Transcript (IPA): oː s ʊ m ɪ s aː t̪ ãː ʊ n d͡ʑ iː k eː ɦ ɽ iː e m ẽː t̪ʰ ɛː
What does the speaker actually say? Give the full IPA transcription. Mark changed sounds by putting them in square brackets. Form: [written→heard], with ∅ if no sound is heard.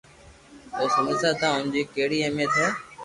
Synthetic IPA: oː s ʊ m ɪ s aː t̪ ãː ʊ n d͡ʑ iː k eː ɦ ɽ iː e m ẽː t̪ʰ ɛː